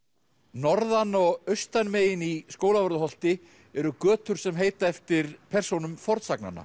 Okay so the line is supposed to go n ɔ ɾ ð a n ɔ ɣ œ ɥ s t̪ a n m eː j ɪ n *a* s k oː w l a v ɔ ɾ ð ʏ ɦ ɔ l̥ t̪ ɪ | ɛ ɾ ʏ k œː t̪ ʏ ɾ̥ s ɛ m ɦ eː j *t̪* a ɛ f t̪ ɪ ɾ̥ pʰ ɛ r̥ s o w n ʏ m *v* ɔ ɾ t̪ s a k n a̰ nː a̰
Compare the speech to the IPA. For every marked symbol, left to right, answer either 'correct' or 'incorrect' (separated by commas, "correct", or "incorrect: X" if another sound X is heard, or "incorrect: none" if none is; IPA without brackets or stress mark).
incorrect: i, correct, incorrect: f